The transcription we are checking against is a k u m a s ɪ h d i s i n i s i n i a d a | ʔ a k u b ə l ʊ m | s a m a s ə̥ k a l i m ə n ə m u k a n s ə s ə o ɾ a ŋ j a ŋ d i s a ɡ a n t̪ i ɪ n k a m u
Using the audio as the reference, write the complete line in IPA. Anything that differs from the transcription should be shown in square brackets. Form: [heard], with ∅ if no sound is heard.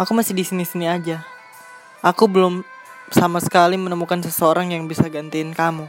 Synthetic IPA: a k u m a s ɪ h d i s i n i s i n i a [d͡ʒ] a | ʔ a k u b ə l ʊ m | s a m a s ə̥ k a l i m ə n ə m u k a n s ə s ə o ɾ a ŋ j a ŋ [b] i s a ɡ a n t̪ i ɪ n k a m u